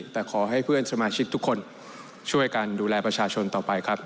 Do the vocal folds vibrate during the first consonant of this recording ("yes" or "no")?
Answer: no